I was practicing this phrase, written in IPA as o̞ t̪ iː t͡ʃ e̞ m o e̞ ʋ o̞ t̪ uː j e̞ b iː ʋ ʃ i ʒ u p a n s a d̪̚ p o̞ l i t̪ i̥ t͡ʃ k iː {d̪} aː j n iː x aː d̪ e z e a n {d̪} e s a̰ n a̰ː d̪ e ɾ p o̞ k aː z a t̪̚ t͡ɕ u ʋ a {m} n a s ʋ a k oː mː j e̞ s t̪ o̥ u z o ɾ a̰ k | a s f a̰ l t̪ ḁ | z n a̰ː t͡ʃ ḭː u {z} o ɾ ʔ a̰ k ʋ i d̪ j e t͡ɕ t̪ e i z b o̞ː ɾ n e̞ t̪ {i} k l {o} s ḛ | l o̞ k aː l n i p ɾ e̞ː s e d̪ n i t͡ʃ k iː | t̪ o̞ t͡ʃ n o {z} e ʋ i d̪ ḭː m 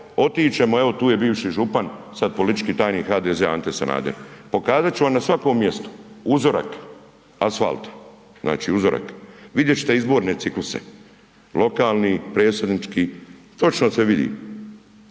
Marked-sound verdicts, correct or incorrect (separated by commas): incorrect, incorrect, correct, correct, correct, incorrect, incorrect